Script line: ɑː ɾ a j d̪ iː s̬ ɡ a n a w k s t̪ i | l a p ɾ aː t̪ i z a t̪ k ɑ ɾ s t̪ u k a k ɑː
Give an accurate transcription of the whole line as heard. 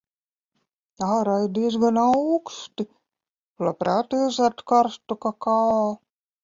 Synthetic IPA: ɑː ɾ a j d̪ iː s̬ ɡ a n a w k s t̪ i | l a p ɾ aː t̪ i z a t̪ k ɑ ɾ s t̪ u k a k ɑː